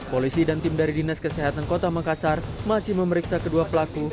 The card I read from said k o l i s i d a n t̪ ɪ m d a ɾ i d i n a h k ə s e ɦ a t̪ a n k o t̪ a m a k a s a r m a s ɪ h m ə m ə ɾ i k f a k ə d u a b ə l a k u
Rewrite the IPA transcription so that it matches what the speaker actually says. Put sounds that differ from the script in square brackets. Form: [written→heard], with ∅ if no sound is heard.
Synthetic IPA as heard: [k→p] o l i s i d a n t̪ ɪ m d a ɾ i d i n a [h→s] k ə s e ɦ a t̪ a n k o t̪ a m a k a s a r m a s ɪ h m ə m ə ɾ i k [f→s] a k ə d u a [b→p] ə l a k u